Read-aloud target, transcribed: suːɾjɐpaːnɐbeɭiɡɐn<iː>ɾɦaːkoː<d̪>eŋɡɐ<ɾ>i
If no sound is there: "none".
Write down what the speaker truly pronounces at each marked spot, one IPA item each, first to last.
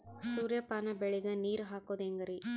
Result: iː, d̪, ɾ

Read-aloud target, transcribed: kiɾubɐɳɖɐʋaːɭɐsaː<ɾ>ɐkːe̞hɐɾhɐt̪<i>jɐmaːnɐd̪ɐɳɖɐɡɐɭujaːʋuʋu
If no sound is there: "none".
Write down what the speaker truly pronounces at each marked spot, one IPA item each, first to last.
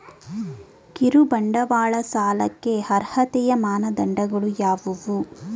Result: l, ɛ

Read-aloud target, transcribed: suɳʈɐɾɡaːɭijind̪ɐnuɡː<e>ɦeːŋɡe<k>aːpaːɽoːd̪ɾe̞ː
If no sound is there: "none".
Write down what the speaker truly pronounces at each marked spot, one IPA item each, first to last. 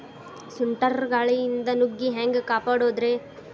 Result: i, k

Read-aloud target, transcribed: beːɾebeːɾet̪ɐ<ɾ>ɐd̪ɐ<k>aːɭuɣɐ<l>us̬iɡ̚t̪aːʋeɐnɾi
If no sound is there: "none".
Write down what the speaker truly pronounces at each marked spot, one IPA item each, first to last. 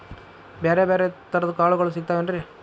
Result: ɾ, k, ɭ

